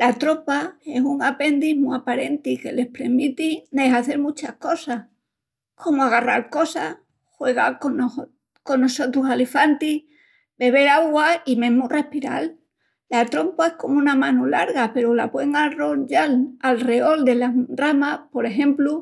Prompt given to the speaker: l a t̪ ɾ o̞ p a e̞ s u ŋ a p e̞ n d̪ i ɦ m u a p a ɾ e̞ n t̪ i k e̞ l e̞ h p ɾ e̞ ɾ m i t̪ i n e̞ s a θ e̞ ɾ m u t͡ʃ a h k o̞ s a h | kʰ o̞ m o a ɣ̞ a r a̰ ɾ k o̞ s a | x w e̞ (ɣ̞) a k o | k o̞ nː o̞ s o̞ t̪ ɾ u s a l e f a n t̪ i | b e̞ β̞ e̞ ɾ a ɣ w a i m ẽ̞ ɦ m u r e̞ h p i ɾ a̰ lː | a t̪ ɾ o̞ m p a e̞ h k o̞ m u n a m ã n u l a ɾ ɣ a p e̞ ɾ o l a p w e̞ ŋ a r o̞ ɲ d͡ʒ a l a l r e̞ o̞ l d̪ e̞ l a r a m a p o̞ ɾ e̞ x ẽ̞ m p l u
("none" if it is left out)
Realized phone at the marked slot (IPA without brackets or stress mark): ɣ̞